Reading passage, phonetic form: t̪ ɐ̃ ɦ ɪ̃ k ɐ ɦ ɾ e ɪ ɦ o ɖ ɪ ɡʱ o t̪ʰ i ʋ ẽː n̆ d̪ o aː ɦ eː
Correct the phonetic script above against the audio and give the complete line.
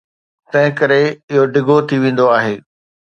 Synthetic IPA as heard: t̪ ɐ̃ ɦ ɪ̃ k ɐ ɾ e ɪ ɦ o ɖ ɪ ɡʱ o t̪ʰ i ʋ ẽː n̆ d̪ o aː ɦ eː